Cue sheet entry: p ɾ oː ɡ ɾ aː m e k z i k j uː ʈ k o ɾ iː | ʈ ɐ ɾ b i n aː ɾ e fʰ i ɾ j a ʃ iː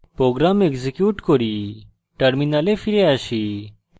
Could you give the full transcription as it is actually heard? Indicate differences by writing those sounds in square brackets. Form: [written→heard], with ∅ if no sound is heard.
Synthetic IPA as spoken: p ɾ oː ɡ ɾ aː m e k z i k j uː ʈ k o ɾ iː | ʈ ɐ ɾ [b→m] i n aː [ɾ→l] e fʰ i ɾ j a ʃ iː